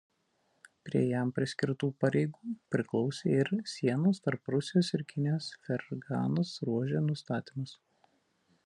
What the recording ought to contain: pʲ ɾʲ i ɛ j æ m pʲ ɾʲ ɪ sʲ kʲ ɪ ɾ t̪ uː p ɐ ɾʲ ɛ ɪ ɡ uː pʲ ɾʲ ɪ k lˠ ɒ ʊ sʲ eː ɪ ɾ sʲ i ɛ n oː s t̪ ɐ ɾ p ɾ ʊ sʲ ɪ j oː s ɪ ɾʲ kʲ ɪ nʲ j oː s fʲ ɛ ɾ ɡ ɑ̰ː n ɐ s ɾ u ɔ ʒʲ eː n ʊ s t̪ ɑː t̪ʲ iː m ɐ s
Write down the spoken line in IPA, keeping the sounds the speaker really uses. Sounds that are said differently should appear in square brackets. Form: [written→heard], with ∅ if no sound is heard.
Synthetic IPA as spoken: pʲ ɾʲ i ɛ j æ m pʲ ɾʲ ɪ sʲ kʲ ɪ ɾ t̪ uː p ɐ ɾʲ ɛ ɪ ɡ uː pʲ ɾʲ ɪ k lˠ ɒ ʊ sʲ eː ɪ ɾ sʲ i ɛ n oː s t̪ ɐ ɾ p ɾ ʊ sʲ ɪ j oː s ɪ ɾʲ kʲ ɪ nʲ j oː s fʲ ɛ ɾ ɡ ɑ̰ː n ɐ s ɾ u ɔ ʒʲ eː n ʊ s t̪ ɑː t̪ʲ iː m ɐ s

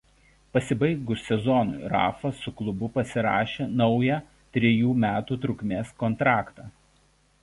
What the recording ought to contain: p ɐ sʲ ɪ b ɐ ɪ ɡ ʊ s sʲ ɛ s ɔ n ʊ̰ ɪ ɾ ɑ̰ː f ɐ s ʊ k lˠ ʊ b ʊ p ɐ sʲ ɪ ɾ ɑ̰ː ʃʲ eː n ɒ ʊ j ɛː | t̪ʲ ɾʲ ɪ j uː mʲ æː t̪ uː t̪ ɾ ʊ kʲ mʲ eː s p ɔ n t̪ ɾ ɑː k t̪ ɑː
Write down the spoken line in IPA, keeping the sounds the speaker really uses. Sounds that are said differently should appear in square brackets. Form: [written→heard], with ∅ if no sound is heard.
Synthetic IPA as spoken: p ɐ sʲ ɪ b ɐ ɪ ɡ ʊ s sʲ ɛ [s→z] ɔ n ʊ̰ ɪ ɾ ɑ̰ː f ɐ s ʊ k lˠ ʊ b ʊ p ɐ sʲ ɪ ɾ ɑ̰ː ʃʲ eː n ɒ ʊ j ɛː | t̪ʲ ɾʲ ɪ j uː mʲ æː t̪ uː t̪ ɾ ʊ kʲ mʲ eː s [p→k] ɔ n t̪ ɾ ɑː k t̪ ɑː

